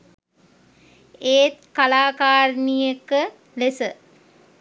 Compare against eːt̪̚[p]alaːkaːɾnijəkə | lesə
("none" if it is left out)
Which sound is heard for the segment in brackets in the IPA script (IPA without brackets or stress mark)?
k